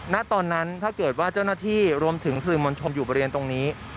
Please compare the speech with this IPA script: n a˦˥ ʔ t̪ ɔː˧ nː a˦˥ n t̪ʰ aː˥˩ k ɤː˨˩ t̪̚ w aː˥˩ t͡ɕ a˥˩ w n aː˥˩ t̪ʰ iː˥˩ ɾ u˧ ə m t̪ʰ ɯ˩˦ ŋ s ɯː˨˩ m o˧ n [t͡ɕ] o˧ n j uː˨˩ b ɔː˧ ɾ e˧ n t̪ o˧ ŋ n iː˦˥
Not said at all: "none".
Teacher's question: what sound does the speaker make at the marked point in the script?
t͡ɕʰ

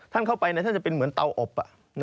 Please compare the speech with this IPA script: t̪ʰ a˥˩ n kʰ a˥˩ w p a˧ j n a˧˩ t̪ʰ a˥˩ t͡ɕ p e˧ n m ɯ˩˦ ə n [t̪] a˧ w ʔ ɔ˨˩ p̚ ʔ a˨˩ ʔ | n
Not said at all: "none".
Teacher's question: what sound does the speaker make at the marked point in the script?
t̪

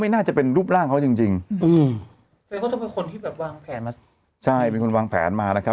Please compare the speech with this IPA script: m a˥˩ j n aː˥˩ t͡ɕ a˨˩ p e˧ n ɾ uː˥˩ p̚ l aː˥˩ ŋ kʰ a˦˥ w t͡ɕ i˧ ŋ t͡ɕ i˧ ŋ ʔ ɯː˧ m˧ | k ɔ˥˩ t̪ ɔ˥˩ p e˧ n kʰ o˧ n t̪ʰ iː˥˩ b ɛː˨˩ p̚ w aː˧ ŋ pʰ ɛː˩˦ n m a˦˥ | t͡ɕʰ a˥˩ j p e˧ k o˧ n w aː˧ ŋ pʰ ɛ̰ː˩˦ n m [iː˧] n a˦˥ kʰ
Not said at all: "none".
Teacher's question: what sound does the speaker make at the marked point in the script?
aː˧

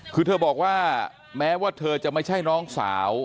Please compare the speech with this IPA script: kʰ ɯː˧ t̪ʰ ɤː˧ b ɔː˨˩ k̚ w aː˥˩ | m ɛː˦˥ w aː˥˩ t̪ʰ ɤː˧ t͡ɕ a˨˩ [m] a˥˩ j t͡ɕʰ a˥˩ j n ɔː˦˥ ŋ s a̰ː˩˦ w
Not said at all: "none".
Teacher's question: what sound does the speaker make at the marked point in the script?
m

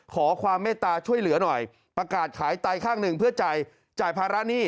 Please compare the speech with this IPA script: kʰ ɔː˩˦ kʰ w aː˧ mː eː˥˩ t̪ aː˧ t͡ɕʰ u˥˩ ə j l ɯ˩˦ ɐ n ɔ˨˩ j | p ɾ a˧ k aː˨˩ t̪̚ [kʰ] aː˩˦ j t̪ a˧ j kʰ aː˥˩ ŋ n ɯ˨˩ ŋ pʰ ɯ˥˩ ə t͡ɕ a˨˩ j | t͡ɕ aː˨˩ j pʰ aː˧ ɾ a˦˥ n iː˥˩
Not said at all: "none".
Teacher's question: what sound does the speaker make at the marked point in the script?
kʰ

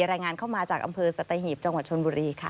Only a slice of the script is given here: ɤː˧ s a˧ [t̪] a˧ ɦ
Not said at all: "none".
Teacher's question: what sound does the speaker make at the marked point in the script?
t̪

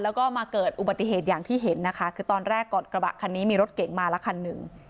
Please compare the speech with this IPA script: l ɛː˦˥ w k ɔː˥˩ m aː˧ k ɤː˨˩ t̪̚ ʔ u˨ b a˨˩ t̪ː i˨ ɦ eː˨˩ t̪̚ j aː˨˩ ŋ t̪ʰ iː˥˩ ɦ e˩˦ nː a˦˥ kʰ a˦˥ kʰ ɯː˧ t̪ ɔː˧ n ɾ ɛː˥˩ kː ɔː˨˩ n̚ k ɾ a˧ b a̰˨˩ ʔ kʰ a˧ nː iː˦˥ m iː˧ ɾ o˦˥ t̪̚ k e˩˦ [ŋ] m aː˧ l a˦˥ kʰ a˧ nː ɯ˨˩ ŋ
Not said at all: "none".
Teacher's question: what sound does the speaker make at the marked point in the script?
ŋ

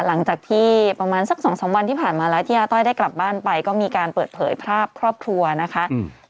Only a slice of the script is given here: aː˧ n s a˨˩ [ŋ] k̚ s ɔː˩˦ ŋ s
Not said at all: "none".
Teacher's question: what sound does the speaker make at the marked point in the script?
none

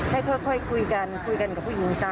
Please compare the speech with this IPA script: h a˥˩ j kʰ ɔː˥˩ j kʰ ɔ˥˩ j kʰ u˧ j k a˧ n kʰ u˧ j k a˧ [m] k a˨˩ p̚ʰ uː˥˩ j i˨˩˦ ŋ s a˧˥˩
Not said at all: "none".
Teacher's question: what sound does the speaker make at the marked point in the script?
n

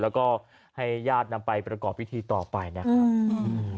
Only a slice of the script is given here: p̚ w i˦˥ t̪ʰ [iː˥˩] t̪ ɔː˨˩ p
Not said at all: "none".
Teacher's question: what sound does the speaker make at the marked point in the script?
iː˧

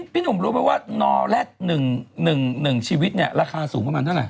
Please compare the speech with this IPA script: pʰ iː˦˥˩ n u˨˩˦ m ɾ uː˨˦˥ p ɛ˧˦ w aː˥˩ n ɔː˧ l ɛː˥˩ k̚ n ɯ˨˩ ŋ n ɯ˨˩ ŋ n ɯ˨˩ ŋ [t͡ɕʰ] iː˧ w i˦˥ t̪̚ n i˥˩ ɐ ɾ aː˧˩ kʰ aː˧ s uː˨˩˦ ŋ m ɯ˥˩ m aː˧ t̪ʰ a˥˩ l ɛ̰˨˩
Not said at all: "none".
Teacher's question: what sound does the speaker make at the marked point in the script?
t͡ɕʰ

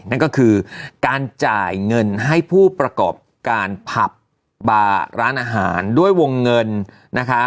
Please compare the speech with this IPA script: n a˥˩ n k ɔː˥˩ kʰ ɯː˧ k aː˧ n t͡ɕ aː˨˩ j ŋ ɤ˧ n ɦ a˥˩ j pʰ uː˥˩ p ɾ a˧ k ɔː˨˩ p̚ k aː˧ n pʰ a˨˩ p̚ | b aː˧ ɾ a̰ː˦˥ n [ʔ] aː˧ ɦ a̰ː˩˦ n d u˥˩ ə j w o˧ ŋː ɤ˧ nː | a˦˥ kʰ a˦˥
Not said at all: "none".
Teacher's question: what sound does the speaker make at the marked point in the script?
ʔ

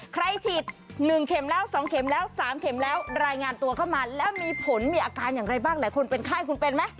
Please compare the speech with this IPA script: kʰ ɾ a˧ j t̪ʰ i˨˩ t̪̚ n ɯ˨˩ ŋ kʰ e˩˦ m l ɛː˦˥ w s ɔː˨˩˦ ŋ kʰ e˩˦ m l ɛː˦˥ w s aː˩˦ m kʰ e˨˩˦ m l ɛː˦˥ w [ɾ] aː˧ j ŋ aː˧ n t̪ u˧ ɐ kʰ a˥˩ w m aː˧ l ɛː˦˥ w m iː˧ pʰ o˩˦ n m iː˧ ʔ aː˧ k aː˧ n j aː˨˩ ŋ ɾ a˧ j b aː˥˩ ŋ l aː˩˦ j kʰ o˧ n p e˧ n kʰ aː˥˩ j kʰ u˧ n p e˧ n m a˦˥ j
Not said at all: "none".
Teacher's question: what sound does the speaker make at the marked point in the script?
ɾ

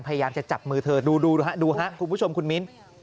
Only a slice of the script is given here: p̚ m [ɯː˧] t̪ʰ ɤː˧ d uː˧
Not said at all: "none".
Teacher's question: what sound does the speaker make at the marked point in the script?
ɯː˧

